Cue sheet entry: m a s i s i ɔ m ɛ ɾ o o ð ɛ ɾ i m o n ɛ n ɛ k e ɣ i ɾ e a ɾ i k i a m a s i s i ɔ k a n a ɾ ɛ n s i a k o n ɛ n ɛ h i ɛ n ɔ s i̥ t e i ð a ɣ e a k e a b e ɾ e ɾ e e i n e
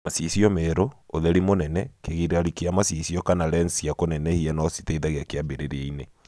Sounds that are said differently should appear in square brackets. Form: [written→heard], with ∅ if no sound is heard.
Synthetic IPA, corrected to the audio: m a s i s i ɔ m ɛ ɾ o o ð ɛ ɾ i m o n ɛ n ɛ k e ɣ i ɾ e a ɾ i k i a m a s i s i ɔ k a n a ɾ ɛ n s i a k o n ɛ n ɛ h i ɛ n ɔ s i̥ t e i ð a ɣ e a k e a b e ɾ e ɾ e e i n e